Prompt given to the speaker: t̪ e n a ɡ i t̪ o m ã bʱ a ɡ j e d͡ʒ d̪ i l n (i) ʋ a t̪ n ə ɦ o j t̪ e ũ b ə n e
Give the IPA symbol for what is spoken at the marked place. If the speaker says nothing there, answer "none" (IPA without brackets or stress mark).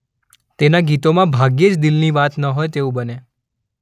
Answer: i